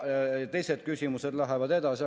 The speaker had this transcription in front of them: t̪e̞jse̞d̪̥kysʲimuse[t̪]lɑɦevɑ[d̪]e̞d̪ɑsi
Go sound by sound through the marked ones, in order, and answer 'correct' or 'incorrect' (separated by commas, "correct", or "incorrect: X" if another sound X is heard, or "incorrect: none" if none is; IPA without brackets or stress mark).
incorrect: d̪, correct